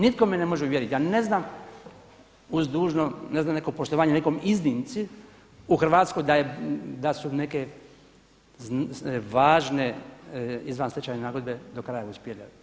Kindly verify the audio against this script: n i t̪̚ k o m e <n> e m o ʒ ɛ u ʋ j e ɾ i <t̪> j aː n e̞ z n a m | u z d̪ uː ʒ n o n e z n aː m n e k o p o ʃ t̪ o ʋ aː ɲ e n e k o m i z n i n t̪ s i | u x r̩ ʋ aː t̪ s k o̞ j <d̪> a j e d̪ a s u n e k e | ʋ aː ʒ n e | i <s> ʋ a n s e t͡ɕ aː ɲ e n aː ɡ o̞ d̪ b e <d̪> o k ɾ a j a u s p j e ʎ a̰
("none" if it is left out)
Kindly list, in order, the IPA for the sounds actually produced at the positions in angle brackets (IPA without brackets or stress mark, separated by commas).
n, t̪, d̪, z, d̪